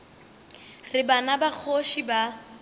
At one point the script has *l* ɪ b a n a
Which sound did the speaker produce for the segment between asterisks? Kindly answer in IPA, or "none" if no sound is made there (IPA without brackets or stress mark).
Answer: r